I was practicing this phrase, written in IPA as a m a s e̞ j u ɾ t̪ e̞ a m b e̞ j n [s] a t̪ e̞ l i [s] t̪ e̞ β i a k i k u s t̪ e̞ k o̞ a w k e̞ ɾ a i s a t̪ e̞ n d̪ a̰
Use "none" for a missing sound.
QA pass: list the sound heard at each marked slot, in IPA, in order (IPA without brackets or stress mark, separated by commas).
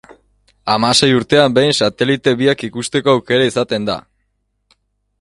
s, none